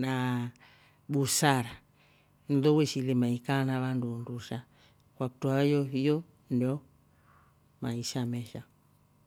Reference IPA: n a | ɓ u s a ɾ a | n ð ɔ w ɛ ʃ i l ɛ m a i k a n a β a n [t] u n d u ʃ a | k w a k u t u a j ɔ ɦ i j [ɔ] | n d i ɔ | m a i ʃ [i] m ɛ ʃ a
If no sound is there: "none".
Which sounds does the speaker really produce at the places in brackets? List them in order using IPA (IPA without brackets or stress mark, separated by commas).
d, ɔ, a